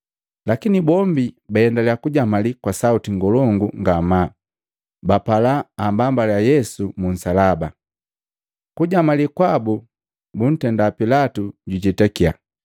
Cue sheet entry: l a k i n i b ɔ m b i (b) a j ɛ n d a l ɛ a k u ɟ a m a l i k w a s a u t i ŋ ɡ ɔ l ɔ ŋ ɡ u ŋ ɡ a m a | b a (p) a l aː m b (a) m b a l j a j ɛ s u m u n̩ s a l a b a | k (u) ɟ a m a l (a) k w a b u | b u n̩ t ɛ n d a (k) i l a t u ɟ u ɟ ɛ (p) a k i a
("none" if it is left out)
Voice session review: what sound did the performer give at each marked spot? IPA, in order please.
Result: b, p, a, u, i, p, t

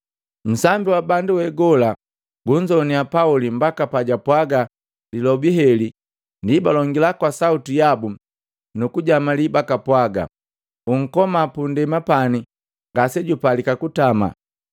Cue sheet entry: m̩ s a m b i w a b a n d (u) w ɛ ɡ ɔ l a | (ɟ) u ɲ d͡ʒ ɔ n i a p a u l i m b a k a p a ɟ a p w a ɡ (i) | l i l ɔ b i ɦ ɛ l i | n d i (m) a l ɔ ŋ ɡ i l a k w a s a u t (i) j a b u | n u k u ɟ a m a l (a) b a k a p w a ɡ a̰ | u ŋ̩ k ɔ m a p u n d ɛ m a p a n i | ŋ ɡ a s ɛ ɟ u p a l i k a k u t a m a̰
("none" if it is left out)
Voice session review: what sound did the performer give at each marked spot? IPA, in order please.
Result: u, ɡ, a, b, i, i

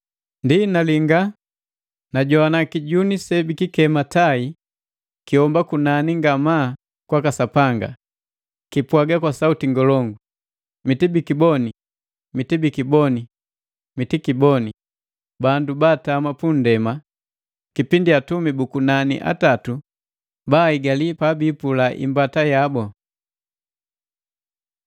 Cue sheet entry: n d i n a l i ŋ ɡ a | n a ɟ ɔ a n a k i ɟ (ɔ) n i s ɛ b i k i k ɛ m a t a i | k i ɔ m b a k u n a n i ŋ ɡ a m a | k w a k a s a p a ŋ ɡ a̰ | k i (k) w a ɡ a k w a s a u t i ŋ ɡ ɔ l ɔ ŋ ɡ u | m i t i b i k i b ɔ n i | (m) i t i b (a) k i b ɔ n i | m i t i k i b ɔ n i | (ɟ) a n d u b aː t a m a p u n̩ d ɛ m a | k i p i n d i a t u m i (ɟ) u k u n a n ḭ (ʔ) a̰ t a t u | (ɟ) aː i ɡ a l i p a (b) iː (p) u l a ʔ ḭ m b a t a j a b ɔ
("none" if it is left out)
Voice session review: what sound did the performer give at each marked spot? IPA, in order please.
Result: u, p, m, i, b, b, ʔ, b, b, p

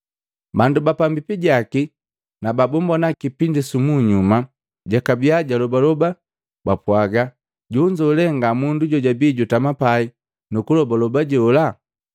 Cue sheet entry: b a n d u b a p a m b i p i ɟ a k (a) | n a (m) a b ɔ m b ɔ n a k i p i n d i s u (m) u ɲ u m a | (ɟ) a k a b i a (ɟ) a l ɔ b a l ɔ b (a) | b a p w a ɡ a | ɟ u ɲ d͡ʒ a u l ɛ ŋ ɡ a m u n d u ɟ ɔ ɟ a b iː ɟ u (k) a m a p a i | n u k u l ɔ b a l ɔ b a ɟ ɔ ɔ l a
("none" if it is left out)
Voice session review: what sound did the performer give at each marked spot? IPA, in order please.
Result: i, b, m, ɟ, ɟ, a, t

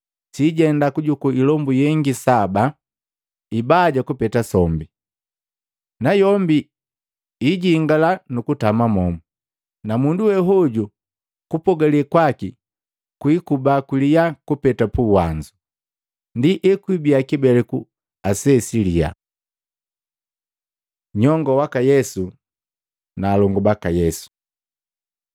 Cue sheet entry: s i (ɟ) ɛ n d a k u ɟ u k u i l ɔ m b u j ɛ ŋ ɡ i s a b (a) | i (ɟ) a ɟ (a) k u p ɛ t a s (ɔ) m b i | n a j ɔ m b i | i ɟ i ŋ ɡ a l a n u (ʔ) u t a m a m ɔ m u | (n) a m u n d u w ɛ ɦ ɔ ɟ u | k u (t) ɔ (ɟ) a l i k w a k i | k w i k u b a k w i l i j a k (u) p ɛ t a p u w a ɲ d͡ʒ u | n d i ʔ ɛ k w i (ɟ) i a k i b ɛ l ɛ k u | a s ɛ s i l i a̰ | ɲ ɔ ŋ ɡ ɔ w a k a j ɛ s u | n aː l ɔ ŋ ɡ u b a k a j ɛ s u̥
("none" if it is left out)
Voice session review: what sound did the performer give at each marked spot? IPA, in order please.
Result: ɟ, a, b, a, ɔ, k, n, p, ɡ, u, b

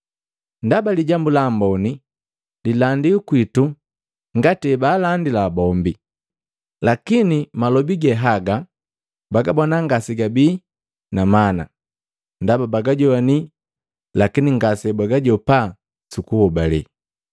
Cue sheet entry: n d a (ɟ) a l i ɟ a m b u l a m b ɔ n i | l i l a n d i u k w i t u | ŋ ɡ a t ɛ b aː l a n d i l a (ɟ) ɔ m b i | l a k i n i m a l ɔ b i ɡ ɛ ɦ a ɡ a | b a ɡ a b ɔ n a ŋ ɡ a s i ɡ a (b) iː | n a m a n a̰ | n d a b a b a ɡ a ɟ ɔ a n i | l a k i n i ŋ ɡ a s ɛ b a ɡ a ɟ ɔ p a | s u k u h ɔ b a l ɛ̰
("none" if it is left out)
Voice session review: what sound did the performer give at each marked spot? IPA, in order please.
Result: b, b, b

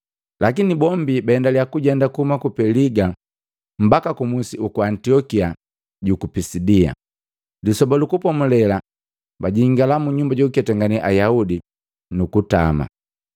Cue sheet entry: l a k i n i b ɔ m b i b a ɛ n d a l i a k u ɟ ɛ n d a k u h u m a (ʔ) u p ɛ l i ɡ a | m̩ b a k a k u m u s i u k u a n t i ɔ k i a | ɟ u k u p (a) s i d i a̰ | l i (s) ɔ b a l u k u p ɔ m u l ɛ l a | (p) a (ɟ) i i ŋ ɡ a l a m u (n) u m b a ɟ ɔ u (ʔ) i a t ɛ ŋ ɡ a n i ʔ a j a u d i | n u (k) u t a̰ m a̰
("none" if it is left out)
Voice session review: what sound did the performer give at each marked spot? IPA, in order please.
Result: k, i, s, b, ɟ, ɲ, k, k

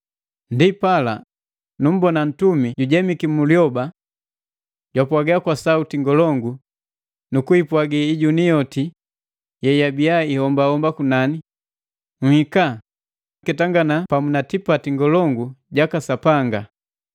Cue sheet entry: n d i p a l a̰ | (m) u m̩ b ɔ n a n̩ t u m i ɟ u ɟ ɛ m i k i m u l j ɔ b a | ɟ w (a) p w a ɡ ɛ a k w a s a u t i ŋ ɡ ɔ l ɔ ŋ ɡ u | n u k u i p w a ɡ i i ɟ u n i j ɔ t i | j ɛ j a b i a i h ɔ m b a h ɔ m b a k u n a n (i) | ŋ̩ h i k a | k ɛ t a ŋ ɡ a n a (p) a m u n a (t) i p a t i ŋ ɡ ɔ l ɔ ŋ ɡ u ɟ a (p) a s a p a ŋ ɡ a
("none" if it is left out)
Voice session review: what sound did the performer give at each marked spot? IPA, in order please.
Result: n, a, i, p, t, k

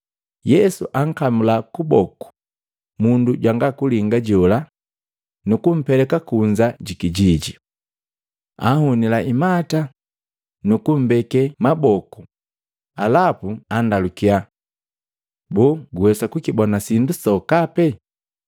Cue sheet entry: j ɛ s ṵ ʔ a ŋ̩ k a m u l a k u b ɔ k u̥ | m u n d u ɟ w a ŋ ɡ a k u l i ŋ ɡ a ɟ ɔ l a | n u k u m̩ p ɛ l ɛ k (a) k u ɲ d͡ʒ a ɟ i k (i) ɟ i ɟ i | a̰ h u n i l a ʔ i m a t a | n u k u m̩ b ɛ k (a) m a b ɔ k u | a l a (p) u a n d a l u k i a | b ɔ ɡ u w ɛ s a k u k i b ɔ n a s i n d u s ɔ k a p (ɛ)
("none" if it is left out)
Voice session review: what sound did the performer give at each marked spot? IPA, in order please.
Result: a, i, ɛ, p, ɛ

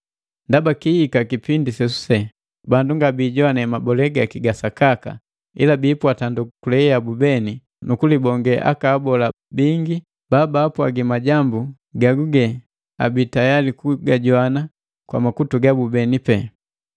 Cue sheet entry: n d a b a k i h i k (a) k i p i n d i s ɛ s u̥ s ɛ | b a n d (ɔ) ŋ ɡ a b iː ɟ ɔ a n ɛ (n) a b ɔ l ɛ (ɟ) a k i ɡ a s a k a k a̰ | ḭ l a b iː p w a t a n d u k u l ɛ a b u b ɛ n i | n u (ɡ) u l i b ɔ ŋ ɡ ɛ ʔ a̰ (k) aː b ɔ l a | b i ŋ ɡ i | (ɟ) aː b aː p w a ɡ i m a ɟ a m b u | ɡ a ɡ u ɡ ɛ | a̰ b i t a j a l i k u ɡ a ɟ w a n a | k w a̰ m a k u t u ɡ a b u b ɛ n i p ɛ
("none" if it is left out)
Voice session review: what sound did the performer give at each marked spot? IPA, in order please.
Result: a, u, m, ɡ, k, k, b

